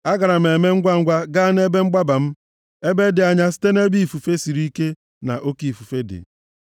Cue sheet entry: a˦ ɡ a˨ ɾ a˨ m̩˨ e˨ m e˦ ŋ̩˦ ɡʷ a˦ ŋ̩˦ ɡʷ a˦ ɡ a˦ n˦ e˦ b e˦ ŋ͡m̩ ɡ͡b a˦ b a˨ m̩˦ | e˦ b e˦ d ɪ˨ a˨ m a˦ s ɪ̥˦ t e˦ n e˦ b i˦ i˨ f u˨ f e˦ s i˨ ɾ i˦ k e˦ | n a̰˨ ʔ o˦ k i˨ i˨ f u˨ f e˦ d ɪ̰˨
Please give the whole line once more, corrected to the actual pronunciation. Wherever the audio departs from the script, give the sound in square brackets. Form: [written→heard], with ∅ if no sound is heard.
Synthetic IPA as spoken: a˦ ɡ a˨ ɾ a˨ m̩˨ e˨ m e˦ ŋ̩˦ ɡʷ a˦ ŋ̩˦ ɡʷ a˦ ɡ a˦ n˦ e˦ b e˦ ŋ͡m̩ ɡ͡b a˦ b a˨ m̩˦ | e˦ b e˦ d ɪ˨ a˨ [m→ɲ] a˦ s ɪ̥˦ t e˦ n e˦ b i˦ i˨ f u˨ f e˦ s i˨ ɾ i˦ k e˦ | n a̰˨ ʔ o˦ k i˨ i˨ f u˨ f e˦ d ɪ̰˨